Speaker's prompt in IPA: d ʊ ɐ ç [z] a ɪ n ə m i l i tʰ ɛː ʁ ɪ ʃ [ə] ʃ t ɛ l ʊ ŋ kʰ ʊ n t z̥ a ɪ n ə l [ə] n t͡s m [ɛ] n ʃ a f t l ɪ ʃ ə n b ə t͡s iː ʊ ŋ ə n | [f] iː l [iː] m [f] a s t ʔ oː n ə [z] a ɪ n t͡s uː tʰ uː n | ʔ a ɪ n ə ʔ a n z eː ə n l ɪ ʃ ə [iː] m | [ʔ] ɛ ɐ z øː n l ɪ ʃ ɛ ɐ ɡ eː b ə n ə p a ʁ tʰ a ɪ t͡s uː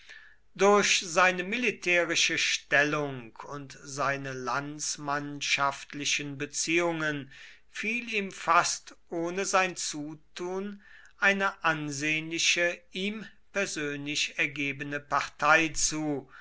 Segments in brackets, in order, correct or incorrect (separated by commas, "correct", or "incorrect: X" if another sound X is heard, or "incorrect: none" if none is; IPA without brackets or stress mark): correct, correct, incorrect: a, incorrect: a, correct, correct, correct, correct, correct, incorrect: p